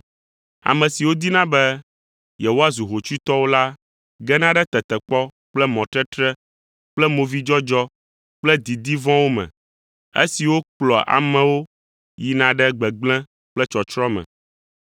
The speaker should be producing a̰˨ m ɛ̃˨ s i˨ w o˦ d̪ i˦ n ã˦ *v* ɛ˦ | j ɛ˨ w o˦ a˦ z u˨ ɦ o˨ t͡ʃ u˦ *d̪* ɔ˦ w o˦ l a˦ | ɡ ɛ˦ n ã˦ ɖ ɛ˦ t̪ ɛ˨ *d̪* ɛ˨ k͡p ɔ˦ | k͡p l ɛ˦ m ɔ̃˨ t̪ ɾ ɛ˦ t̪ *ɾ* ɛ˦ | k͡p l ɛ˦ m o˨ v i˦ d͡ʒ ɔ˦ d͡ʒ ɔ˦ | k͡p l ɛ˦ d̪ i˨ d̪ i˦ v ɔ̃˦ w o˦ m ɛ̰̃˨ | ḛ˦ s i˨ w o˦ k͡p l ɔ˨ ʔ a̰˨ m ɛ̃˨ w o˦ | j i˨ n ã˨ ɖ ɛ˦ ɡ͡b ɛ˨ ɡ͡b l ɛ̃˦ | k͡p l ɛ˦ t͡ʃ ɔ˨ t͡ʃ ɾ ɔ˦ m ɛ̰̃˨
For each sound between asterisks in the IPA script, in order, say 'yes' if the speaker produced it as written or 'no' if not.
no, no, no, yes

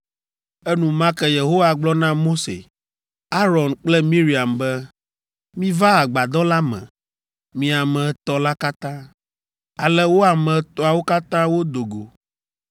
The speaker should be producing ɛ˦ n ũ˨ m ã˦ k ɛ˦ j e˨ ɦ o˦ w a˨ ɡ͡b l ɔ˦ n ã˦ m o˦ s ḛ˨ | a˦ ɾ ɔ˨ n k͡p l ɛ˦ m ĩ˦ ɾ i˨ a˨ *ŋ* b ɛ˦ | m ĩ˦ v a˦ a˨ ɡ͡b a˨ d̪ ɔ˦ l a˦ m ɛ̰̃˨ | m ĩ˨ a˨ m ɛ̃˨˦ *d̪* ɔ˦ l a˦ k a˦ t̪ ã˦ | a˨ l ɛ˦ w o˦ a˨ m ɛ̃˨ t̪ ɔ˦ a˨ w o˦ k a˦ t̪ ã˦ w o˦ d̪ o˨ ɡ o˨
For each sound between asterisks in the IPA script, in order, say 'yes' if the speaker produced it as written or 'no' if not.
no, no

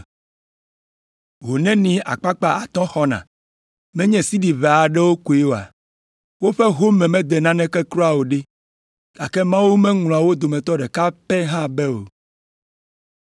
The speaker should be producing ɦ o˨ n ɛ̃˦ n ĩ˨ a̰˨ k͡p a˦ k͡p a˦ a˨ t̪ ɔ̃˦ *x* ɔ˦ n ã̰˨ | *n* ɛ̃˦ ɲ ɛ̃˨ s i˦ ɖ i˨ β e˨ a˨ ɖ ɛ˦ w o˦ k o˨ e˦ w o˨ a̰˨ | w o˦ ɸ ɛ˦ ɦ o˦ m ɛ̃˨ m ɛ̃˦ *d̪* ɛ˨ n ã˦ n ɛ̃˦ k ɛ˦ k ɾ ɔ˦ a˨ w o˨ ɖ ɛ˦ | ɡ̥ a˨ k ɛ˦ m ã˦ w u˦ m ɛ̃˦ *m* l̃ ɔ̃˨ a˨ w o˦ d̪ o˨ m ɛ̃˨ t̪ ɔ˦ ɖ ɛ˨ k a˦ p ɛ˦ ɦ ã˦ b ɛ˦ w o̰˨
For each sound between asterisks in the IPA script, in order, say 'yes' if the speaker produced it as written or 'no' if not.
yes, no, yes, no

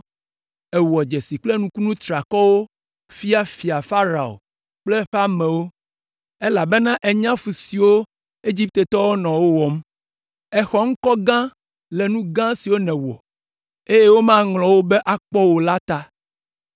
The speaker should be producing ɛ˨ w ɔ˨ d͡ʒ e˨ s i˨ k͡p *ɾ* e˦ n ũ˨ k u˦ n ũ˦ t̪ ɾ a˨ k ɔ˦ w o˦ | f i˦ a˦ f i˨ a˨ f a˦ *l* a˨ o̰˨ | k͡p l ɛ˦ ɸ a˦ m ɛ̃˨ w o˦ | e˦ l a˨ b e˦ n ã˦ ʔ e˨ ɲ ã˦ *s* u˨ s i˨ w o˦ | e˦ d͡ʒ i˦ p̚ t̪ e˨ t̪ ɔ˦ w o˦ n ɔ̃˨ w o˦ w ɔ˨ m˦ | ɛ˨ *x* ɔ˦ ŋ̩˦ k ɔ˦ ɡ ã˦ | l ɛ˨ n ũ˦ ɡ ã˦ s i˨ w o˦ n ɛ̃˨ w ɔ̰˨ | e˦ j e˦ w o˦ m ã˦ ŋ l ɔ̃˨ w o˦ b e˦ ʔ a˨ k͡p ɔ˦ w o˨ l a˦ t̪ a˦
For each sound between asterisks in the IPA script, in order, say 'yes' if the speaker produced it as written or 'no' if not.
no, no, no, yes

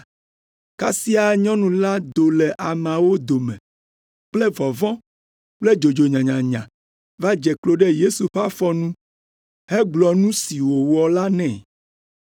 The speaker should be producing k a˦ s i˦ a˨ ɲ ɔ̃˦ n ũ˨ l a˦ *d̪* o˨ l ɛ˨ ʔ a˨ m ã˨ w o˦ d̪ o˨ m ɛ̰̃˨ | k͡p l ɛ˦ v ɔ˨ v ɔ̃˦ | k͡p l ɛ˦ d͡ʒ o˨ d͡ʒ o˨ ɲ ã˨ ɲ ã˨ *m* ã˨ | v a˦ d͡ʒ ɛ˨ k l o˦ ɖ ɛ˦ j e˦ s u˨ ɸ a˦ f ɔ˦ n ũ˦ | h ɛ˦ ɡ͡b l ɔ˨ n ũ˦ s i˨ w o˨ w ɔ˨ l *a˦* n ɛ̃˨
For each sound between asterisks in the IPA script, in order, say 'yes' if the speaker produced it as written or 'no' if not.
yes, no, yes

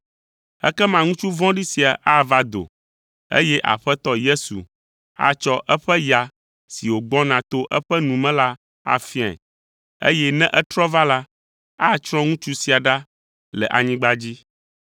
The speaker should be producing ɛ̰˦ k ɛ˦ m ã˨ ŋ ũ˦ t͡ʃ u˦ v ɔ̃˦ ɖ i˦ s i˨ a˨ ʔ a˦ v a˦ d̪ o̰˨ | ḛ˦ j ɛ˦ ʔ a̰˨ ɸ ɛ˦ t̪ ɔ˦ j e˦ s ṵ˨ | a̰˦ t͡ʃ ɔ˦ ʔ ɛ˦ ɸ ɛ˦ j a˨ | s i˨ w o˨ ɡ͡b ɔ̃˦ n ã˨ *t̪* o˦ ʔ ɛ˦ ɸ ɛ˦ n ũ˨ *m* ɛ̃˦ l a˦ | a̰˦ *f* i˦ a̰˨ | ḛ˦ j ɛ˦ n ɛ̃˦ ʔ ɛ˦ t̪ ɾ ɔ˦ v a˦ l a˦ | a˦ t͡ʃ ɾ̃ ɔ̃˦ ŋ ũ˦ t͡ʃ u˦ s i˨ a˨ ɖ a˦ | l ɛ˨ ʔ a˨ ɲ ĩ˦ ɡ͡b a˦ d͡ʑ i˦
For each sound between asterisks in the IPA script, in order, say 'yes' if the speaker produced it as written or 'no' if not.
yes, yes, yes

